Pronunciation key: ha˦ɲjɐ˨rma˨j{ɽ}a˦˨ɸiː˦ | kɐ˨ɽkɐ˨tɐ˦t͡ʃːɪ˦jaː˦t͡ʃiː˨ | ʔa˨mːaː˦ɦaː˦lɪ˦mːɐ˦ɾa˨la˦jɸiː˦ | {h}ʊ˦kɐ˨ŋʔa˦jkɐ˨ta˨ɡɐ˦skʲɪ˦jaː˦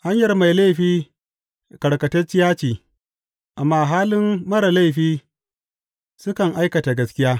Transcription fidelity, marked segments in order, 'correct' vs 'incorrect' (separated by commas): incorrect, incorrect